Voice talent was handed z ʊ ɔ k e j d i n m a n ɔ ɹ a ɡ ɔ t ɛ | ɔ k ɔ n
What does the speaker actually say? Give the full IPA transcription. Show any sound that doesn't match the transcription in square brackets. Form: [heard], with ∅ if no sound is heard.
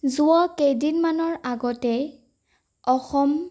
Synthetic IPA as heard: z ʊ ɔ k e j d i n m a n ɔ ɹ a ɡ ɔ t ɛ | ɔ [x] ɔ [m]